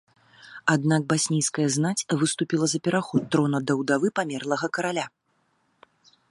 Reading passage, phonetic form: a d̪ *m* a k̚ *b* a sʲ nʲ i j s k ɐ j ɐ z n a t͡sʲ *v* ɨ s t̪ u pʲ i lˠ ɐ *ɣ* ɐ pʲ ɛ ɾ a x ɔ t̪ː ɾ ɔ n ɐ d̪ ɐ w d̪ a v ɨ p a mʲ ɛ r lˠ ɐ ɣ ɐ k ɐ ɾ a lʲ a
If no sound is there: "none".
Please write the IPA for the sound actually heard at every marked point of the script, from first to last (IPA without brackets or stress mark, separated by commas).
n, b, v, z